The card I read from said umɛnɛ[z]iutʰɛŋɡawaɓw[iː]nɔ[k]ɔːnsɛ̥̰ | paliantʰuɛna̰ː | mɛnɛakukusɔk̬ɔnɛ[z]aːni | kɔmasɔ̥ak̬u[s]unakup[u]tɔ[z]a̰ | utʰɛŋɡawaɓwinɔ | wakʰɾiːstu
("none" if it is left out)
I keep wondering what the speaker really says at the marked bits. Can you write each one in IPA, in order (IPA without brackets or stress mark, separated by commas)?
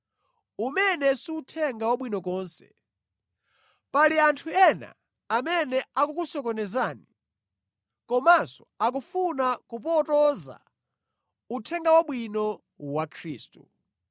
s, i, k, z, f, ɔ, z